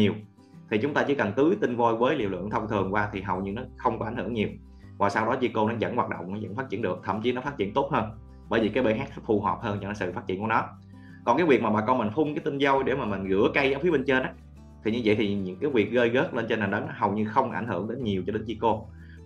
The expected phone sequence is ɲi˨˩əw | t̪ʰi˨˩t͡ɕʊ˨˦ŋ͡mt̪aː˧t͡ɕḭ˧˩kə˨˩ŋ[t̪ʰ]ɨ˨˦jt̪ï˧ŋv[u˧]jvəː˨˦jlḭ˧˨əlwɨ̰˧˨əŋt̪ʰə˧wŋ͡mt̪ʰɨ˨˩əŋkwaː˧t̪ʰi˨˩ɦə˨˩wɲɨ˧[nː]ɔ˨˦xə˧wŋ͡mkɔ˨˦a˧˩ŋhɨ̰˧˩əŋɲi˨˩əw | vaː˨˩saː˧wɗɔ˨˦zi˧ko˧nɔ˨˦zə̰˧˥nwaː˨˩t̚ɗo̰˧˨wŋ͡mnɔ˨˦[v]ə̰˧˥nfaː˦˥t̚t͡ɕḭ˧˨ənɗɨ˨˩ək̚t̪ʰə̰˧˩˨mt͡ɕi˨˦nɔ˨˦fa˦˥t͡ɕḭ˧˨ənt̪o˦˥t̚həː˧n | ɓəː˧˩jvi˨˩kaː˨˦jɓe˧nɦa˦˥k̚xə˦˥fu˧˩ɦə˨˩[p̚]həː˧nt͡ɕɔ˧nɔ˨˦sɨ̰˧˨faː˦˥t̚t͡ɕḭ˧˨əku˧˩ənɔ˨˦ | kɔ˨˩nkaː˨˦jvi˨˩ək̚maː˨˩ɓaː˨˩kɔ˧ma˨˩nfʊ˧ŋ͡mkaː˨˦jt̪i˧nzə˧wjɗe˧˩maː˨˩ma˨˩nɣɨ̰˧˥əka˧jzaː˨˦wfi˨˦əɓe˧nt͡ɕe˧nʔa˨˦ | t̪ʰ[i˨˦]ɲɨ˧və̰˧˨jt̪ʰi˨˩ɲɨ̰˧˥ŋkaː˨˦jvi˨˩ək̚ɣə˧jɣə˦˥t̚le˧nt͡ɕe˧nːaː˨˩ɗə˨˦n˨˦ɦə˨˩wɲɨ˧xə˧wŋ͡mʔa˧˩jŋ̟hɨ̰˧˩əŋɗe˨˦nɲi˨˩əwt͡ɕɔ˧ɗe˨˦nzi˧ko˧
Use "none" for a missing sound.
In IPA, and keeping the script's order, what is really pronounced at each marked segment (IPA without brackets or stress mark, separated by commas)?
t̪, o˧, n, z, p̚, i˨˩